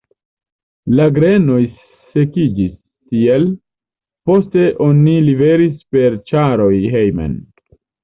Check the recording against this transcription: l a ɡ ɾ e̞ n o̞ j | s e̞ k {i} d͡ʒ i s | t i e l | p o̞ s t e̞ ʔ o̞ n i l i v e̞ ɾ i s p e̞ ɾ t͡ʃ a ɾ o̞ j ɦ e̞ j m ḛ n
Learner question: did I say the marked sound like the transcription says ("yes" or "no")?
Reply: yes